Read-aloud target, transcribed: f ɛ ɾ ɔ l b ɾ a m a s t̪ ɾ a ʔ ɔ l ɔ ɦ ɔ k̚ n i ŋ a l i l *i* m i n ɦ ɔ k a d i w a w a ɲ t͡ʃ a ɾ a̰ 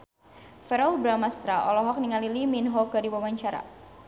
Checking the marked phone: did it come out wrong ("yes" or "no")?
no